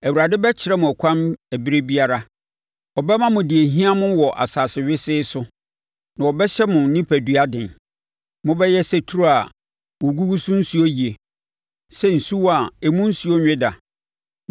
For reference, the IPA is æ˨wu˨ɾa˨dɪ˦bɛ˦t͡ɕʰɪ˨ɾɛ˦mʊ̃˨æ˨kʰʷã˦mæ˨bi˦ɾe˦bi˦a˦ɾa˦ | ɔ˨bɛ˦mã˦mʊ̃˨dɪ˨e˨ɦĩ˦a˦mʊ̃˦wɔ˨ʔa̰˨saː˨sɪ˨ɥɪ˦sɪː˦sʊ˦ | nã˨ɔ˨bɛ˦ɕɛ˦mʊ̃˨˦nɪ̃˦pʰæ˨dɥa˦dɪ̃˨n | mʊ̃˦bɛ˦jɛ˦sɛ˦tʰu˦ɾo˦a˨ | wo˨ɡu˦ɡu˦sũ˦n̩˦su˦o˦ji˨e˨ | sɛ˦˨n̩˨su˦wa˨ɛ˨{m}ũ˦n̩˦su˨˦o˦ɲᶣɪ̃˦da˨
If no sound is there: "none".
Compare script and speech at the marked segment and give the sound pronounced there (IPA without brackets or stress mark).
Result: m